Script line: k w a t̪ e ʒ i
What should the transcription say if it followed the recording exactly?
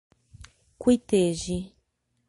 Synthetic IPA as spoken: k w i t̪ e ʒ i